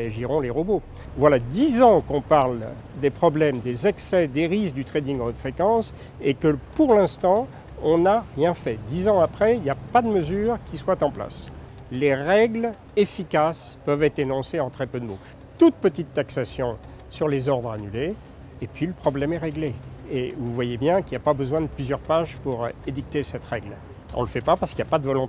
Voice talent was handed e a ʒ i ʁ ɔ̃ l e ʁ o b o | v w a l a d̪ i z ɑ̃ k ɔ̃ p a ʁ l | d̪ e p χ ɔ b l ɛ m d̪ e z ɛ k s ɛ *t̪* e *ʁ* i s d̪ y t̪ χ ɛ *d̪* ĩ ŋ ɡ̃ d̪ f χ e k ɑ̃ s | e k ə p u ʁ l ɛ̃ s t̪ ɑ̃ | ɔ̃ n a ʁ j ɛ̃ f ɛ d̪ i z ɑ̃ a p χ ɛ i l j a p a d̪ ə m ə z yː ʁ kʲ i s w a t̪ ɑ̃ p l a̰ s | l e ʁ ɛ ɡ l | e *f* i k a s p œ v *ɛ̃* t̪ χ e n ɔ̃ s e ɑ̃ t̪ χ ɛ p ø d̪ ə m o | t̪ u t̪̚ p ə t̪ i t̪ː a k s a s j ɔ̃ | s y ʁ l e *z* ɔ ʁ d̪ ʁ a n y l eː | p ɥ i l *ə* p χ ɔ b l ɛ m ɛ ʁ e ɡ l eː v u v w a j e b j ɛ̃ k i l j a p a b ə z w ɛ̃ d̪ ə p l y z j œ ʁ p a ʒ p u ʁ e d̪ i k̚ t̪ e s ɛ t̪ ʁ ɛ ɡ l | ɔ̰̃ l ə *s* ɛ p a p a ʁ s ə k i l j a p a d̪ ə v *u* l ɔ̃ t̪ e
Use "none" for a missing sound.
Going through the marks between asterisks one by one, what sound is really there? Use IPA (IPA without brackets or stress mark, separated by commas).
d̪, ʁ, d̪, f, ɛ, z, ə, f, ɔ